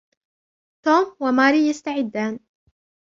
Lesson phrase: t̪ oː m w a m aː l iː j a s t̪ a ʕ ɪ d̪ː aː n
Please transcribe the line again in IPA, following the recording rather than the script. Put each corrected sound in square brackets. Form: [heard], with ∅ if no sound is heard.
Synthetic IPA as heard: t̪ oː m w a m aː [ɾ] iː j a s t̪ a ʕ ɪ d̪ː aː n